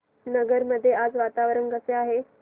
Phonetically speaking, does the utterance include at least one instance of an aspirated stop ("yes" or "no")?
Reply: no